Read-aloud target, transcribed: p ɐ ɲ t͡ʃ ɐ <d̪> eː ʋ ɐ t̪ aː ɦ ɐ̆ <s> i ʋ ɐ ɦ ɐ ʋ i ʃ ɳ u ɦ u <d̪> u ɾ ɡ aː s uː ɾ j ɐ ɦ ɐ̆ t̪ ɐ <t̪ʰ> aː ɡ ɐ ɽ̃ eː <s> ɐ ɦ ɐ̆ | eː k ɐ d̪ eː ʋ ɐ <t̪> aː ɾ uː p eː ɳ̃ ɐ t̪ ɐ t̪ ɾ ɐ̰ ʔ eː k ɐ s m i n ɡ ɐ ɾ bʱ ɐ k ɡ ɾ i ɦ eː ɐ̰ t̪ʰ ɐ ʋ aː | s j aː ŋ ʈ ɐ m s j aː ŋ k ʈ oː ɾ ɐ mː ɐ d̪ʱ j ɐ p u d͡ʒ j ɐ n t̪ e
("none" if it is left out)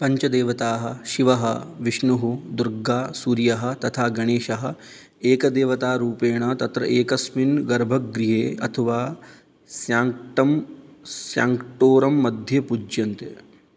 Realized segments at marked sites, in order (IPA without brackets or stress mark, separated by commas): d̪, ʃ, d̪, t̪ʰ, ʃ, t̪